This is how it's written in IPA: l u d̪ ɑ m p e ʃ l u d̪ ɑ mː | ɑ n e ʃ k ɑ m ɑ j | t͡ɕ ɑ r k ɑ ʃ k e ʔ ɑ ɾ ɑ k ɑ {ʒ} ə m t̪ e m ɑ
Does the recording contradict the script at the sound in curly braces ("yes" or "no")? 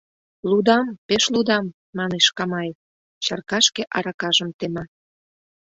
no